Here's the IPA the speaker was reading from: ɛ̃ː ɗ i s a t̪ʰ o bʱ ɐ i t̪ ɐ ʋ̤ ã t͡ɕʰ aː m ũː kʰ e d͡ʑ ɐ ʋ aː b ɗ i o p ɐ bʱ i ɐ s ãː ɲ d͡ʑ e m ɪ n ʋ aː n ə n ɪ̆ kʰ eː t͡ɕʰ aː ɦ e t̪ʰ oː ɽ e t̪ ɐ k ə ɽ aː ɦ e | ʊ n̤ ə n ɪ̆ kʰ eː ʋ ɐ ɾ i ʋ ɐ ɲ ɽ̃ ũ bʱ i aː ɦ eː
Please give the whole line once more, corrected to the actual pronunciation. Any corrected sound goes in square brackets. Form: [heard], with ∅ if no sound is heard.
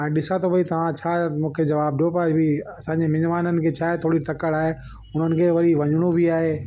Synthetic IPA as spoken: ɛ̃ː ɗ [ɪ] s a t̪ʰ o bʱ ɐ i t̪ ɐ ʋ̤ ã t͡ɕʰ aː m ũː kʰ e d͡ʑ ɐ ʋ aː b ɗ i o p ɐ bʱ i ɐ s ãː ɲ d͡ʑ e m ɪ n ʋ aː n ə n ɪ̆ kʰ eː t͡ɕʰ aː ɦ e t̪ʰ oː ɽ [i] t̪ ɐ k ə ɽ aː ɦ e | ʊ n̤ ə n ɪ̆ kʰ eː ʋ ɐ ɾ i ʋ ɐ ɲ ɽ̃ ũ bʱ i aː ɦ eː